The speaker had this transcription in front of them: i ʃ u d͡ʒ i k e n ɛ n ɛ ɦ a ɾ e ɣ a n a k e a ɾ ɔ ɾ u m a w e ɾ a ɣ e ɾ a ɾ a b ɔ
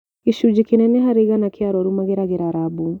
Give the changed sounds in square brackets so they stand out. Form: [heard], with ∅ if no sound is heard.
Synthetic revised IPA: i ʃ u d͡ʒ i k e n ɛ n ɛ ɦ a ɾ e ɣ a n a k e a ɾ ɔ ɾ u m a [ɣ] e ɾ a ɣ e ɾ a ɾ a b [u]